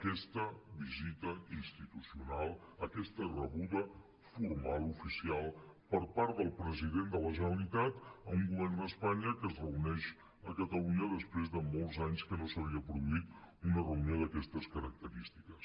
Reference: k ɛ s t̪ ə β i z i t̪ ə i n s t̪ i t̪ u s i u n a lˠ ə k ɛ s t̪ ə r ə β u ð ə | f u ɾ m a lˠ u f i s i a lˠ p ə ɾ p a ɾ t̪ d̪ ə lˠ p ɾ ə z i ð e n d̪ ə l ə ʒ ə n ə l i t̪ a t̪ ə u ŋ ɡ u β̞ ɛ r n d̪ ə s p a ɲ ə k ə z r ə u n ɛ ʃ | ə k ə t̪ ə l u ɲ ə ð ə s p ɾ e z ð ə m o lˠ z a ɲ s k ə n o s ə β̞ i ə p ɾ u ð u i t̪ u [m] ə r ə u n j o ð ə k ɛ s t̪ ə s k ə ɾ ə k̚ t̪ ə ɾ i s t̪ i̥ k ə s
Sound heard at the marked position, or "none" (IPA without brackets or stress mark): n